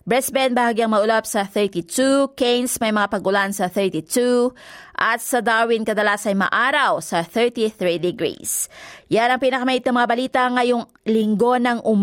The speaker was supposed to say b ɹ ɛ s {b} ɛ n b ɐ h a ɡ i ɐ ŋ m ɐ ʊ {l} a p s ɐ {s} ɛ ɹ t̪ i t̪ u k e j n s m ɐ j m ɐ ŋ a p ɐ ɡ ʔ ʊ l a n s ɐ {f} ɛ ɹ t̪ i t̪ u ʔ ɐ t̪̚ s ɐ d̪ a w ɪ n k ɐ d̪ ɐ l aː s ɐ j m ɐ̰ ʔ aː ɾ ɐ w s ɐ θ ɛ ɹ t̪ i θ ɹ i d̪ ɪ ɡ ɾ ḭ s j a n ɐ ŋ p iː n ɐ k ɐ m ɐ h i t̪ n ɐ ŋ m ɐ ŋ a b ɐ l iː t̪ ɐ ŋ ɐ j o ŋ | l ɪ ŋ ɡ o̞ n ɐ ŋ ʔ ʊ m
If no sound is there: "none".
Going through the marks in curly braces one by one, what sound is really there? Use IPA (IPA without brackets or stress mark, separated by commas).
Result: b, l, θ, θ